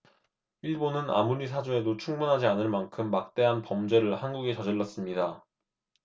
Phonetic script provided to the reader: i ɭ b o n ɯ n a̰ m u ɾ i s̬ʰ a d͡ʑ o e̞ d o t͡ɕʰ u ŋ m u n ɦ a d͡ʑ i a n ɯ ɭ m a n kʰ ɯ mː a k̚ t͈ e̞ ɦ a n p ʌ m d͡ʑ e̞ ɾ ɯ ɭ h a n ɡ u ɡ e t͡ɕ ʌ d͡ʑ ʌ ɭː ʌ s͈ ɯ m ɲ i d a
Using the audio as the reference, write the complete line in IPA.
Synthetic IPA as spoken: i ɭ b o n ɯ n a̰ m u ɾ i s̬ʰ a d͡ʑ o e̞ d o t͡ɕʰ u ŋ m u n ɦ a d͡ʑ i a n ɯ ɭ m a n kʰ ɯ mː a k̚ t͈ e̞ ɦ a n p ʌ m d͡ʑ e̞ ɾ ɯ ɭ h a n ɡ u ɡ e t͡ɕ ʌ d͡ʑ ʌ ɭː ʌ s͈ ɯ m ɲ i d a

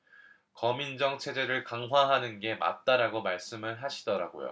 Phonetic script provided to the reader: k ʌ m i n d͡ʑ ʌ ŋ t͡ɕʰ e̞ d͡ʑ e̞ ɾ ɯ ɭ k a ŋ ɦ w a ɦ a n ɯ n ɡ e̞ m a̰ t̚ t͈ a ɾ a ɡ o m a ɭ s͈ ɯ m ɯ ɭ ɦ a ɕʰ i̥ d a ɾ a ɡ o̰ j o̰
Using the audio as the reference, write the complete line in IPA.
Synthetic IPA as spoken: k ʌ m i n d͡ʑ ʌ ŋ t͡ɕʰ e̞ d͡ʑ e̞ ɾ ɯ ɭ k a ŋ ɦ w a ɦ a n ɯ n ɡ e̞ m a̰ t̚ t͈ a ɾ a ɡ o m a ɭ s͈ ɯ m ɯ ɭ ɦ a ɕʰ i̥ d ʌ ɾ a ɡ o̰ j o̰

